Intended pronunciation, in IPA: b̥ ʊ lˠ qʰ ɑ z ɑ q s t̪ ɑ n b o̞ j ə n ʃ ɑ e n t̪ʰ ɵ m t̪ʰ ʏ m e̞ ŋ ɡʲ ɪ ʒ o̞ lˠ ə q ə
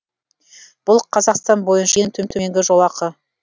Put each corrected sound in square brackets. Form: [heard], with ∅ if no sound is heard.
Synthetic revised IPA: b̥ ʊ lˠ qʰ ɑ z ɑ q s t̪ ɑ n b o̞ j ə n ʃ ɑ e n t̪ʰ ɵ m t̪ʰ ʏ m e̞ ŋ ɡʲ ɪ ʒ o̞ lˠ [ɑ] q ə